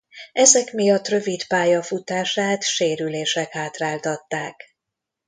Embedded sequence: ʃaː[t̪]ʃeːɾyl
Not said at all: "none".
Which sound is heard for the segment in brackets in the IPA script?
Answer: t̪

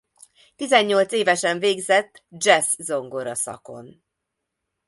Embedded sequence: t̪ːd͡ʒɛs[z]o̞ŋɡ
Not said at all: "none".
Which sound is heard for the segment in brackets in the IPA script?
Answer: z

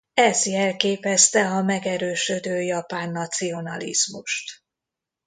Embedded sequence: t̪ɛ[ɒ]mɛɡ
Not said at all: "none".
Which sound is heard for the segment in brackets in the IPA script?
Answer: ɒ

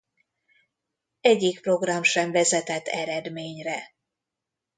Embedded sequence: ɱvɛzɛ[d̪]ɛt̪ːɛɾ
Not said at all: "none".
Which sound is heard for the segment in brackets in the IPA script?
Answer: t̪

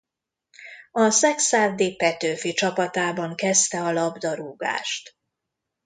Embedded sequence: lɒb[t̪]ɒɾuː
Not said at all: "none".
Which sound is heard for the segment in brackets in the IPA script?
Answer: d̪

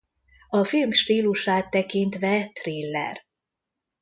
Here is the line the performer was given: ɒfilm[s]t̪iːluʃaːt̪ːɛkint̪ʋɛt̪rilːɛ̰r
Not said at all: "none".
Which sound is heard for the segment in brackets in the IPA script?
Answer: ʃ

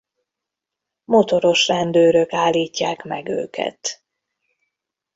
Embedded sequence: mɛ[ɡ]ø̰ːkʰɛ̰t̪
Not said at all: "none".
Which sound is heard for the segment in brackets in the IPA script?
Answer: ɡ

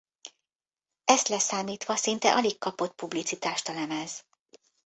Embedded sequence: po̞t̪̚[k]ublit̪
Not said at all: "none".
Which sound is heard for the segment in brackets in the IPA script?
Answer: p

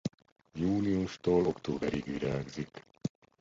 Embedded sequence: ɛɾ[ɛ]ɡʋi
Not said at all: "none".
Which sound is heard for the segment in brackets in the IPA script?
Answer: i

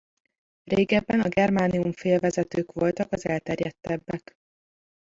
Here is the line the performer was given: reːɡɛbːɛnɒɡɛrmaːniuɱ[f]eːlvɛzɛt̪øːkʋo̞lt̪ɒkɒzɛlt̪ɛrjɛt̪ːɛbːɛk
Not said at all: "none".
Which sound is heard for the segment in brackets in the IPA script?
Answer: f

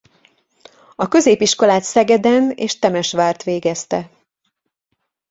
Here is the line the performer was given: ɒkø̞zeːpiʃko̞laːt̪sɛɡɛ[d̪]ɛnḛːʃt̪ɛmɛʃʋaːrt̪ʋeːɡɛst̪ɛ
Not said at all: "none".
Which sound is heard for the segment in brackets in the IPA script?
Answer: d̪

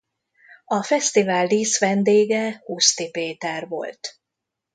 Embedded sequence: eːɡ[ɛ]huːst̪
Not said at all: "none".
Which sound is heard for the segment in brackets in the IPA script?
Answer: ɛ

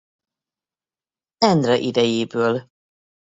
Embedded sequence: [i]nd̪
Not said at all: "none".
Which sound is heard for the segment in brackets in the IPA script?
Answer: ɛ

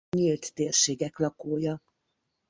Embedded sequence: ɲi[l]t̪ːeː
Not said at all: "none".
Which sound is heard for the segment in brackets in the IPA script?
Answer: l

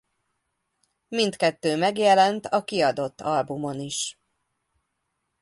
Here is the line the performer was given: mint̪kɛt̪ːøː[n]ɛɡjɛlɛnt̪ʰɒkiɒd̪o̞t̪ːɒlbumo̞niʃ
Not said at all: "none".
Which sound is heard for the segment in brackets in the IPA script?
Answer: m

